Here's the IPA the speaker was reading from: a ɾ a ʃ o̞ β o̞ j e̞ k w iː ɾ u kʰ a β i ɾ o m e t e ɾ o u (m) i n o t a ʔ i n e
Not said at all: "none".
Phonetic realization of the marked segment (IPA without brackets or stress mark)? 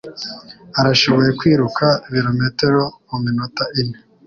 m